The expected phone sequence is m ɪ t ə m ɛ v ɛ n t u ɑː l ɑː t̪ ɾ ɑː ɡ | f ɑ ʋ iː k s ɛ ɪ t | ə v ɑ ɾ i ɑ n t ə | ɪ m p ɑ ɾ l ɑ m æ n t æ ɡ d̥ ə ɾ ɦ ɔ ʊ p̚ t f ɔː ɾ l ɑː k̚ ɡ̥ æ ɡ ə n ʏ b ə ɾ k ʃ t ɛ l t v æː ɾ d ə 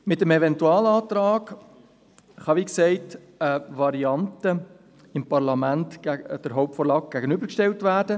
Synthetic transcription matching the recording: m ɪ t ə m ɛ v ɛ n t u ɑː l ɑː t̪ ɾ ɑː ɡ | χ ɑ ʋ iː k s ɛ ɪ t | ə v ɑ ɾ i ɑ n t ə | ɪ m p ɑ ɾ l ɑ m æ n t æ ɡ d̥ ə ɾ ɦ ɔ ʊ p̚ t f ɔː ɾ l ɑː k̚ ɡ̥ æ ɡ ə n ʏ b ə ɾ k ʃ t ɛ l t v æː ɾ d ə